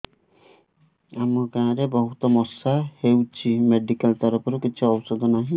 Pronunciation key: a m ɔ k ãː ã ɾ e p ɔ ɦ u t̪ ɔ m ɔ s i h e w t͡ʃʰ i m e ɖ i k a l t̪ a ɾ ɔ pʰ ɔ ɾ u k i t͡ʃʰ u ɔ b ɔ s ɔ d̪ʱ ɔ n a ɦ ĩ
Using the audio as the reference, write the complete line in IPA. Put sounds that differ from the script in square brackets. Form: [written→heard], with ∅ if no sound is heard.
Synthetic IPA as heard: a m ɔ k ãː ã ɾ e [p→b] ɔ ɦ u t̪ ɔ m ɔ s [i→a] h e w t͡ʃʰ i m e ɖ i k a l t̪ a ɾ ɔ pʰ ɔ ɾ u k i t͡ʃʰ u ɔ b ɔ s ɔ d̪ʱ ɔ n a ɦ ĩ